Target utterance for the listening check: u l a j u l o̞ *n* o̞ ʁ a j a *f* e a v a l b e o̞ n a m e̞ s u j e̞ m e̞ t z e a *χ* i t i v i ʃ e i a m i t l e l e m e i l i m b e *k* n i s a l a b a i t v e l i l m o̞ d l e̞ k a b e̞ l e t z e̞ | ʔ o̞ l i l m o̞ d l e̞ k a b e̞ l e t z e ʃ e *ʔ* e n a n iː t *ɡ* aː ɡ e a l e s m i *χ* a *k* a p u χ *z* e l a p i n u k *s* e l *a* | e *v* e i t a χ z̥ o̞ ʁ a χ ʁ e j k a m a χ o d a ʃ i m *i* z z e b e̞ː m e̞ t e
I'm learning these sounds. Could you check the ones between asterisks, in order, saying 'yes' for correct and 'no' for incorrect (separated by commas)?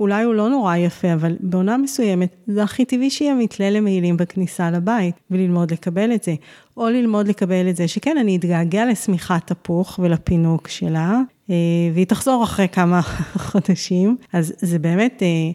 yes, yes, yes, yes, no, yes, yes, no, no, no, yes, yes, no